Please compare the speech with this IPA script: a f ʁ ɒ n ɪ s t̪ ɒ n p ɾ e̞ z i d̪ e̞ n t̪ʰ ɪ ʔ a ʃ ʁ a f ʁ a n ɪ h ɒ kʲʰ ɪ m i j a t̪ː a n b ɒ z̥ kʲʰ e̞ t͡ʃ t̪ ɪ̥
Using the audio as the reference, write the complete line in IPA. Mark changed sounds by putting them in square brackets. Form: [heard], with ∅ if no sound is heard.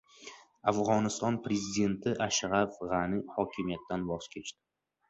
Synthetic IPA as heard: a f ʁ ɒ n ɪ s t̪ ɒ n p ɾ e̞ z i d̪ e̞ n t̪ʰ ɪ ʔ a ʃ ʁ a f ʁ a n ɪ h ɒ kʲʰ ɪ m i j a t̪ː a n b ɒ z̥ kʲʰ e̞ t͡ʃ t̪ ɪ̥